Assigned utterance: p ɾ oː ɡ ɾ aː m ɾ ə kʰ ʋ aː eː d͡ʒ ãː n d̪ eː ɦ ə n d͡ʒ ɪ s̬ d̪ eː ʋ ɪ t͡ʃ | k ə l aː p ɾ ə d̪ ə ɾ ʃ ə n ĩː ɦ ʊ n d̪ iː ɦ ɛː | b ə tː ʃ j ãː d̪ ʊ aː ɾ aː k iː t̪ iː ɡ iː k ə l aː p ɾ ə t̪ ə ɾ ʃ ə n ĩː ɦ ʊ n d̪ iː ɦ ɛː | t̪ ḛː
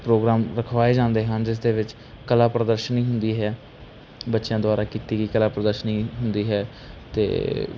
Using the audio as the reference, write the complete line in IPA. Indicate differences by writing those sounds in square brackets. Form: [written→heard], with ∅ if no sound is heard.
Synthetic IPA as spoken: p ɾ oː ɡ ɾ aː m ɾ ə kʰ ʋ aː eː d͡ʒ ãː n d̪ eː ɦ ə n d͡ʒ ɪ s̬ d̪ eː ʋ ɪ t͡ʃ | k ə l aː p ɾ ə d̪ ə ɾ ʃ ə n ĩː ɦ ʊ n d̪ iː ɦ ɛː | b ə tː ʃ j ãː d̪ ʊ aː ɾ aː k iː t̪ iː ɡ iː k ə l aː p ɾ ə [t̪→d̪] ə ɾ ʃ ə n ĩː ɦ ʊ n d̪ iː ɦ ɛː | t̪ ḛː